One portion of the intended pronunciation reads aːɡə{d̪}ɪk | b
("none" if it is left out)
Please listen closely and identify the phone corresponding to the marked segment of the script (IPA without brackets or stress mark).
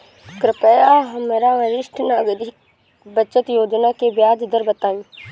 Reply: d̪